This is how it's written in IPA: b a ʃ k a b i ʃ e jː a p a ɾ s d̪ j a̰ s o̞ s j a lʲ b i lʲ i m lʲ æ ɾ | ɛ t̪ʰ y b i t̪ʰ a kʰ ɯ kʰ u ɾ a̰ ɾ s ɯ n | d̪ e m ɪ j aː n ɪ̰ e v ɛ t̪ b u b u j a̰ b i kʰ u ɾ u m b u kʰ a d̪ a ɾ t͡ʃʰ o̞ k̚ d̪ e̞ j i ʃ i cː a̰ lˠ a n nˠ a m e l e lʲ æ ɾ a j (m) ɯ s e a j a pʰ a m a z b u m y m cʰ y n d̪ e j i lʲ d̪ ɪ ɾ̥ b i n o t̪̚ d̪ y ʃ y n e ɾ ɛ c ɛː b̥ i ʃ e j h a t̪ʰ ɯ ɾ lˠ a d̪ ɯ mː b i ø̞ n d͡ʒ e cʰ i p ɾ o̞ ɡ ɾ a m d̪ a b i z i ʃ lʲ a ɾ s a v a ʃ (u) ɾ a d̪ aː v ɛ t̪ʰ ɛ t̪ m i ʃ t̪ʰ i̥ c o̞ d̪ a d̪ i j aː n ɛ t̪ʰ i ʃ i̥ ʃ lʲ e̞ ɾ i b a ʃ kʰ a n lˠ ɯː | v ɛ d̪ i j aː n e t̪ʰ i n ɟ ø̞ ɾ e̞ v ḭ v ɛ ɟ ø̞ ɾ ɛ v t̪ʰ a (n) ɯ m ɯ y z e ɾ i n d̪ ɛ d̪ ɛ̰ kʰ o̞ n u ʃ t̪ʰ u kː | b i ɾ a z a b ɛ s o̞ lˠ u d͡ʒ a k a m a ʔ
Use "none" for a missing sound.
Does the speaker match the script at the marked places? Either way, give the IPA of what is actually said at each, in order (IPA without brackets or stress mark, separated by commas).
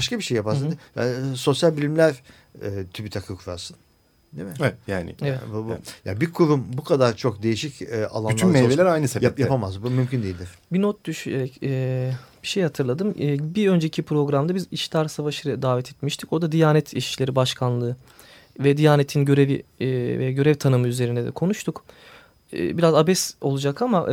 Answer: n, ɯ, n